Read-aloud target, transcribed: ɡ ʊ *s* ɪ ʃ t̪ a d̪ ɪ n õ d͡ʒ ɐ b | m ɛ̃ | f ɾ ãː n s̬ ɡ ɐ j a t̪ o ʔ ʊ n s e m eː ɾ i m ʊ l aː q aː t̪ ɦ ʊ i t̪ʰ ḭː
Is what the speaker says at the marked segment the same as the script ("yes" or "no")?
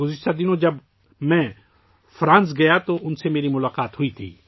no